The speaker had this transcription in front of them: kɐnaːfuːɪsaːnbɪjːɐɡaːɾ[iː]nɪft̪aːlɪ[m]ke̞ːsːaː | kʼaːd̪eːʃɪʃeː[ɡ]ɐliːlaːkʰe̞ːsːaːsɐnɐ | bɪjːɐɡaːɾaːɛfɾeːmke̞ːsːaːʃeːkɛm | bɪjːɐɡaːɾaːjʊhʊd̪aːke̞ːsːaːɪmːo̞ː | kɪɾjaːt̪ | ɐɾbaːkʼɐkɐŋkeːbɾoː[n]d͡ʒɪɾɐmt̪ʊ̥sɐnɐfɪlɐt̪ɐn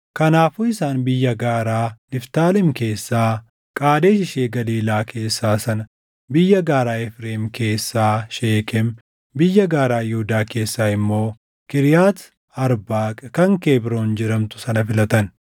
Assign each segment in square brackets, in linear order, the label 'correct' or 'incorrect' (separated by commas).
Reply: incorrect, correct, correct, correct